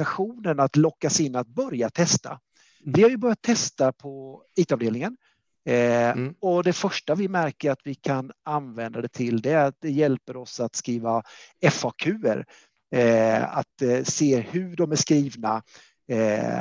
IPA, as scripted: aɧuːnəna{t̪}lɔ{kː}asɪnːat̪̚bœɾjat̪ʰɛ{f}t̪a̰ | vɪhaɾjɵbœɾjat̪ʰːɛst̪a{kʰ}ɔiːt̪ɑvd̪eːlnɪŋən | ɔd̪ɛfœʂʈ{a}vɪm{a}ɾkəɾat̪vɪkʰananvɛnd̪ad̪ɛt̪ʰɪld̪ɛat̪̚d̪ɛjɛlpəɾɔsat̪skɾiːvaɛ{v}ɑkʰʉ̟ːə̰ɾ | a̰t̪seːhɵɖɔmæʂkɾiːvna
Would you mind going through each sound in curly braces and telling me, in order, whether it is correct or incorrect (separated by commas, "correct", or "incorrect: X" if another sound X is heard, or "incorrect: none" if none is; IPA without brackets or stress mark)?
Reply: correct, correct, incorrect: s, incorrect: pʰ, correct, incorrect: æ, incorrect: f